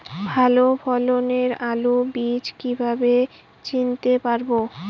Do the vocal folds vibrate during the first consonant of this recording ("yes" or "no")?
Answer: yes